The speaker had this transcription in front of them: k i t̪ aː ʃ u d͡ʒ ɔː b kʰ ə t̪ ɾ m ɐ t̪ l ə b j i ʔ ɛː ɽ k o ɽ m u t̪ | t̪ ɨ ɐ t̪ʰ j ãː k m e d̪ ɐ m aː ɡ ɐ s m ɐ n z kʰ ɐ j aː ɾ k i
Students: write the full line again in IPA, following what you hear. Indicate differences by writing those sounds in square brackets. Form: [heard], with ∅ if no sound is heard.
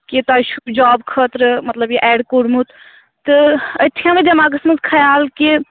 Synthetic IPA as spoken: k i t̪ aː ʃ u d͡ʒ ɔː b kʰ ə t̪ ɾ m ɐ t̪ l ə b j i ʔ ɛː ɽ k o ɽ m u t̪ | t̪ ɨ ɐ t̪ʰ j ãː [∅] m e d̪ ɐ m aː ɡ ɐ s m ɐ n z kʰ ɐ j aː [l] k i